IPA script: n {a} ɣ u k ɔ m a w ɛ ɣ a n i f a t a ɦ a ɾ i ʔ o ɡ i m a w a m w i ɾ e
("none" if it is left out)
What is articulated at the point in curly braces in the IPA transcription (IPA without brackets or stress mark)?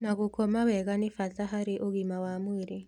a